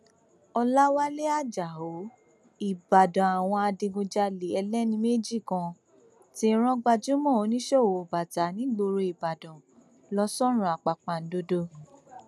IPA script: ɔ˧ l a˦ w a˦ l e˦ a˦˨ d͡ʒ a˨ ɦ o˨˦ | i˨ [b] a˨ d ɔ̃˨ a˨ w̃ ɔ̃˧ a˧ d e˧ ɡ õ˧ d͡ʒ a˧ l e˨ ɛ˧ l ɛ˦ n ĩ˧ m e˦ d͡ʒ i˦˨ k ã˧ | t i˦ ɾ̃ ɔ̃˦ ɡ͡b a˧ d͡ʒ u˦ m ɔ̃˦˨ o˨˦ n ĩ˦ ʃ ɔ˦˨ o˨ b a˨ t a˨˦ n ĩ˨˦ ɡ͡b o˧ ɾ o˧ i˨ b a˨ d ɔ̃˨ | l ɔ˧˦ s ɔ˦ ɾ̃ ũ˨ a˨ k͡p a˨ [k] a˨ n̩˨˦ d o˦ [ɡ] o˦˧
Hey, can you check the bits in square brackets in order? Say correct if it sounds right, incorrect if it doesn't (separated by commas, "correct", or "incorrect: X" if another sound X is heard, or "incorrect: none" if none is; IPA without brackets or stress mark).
correct, incorrect: k͡p, incorrect: d